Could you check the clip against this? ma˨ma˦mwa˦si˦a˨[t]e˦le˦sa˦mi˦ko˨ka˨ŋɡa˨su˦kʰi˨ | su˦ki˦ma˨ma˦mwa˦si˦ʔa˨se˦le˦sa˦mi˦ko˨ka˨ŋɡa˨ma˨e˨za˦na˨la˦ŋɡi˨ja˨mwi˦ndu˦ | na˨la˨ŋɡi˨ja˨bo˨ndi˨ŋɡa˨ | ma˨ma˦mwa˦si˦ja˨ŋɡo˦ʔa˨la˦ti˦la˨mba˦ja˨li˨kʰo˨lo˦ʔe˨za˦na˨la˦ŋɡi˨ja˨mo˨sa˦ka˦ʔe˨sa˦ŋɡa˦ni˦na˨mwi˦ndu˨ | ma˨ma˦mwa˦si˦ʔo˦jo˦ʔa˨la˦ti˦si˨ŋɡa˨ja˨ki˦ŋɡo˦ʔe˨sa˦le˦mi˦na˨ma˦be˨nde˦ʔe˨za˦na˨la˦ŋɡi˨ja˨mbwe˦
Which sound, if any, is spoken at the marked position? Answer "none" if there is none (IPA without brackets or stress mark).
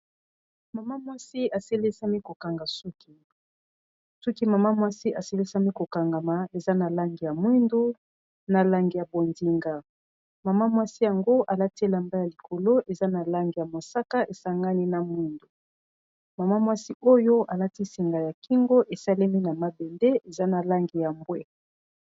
s